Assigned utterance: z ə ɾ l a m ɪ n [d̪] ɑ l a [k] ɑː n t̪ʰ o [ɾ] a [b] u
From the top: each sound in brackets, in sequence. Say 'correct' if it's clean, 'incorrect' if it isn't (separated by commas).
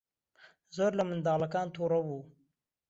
correct, correct, correct, incorrect